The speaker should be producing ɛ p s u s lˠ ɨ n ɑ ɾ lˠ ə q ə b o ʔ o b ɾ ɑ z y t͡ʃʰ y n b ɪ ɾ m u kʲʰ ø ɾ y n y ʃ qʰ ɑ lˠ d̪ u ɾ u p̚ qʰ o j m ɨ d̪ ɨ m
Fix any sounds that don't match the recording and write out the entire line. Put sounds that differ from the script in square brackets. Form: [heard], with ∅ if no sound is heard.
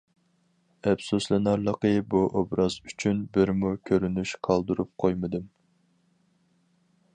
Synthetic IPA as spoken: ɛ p s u s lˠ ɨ n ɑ ɾ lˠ ə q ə b [u] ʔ o b ɾ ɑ z y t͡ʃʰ y n b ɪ ɾ m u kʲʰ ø ɾ y n y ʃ qʰ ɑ lˠ d̪ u ɾ u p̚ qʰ o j m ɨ d̪ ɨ m